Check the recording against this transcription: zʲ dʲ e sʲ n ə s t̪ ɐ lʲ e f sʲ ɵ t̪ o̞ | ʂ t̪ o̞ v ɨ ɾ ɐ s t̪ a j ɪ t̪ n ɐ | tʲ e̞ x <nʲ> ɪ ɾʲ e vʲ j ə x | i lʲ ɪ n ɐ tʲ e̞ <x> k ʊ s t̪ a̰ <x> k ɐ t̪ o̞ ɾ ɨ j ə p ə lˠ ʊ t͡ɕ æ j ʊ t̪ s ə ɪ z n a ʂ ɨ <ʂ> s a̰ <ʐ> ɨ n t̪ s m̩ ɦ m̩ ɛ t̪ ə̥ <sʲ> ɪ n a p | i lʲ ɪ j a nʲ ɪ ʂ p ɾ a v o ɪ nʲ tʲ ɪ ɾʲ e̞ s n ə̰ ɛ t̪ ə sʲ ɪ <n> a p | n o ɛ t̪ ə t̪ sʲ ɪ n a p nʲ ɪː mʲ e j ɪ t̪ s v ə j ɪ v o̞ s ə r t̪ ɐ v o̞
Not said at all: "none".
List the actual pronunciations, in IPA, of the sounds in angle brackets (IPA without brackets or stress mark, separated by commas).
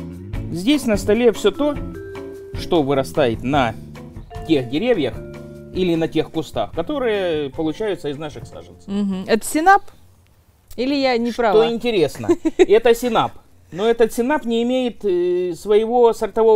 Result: dʲ, x, x, x, ʐ, sʲ, n